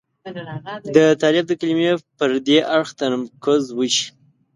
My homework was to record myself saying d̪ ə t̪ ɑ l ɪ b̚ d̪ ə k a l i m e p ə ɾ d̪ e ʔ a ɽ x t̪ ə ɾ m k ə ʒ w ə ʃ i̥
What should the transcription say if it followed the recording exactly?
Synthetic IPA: d̪ ə t̪ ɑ l ɪ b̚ d̪ ə k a l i m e p ə ɾ d̪ e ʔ a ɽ x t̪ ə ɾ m k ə z w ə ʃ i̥